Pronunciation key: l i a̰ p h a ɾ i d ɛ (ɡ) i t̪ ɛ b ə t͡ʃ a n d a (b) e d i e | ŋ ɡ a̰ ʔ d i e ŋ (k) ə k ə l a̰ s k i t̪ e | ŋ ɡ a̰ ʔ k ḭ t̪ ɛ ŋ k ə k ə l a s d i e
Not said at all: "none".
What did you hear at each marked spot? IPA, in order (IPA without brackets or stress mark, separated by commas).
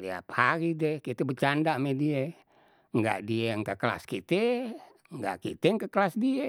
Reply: k, m, k